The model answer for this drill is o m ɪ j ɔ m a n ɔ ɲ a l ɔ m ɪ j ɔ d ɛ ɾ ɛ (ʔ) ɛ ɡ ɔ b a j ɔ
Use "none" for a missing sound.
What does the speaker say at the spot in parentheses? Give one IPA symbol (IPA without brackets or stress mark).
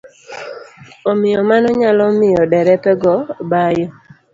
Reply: p